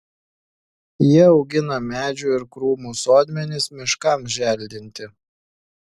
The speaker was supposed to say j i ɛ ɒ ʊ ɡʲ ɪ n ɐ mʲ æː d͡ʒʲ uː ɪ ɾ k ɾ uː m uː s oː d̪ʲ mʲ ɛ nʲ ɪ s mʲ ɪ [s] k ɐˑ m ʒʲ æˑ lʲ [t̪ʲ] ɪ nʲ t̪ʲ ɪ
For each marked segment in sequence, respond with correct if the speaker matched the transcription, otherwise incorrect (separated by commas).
incorrect, incorrect